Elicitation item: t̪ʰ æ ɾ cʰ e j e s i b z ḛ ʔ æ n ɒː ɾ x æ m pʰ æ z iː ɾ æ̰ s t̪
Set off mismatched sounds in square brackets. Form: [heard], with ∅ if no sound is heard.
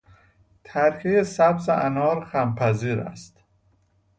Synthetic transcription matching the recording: t̪ʰ æ ɾ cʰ e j e s [æ] b z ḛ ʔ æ n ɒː ɾ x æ m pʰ æ z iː ɾ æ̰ s t̪